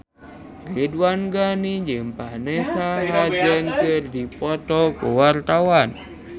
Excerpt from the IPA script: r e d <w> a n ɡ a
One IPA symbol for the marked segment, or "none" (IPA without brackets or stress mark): w